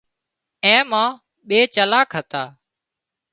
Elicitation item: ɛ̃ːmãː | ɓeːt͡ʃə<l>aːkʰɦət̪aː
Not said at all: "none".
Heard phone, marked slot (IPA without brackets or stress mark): l